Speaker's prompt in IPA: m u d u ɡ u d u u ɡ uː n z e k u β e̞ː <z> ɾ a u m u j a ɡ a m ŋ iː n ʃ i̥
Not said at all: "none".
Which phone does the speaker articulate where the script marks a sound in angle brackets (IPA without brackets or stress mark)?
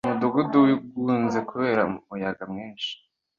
none